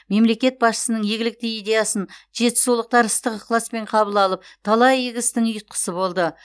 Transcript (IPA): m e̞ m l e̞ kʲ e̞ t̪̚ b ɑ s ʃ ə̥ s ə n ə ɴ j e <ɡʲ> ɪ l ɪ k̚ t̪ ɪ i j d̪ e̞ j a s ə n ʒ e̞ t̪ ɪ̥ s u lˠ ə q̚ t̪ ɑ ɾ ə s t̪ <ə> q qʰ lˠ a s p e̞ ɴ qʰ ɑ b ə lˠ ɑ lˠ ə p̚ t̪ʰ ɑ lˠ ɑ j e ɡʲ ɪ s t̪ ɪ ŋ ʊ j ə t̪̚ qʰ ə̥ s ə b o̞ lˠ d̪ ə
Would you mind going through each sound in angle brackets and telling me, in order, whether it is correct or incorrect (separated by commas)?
correct, correct